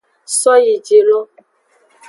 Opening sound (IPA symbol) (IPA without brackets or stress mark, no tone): s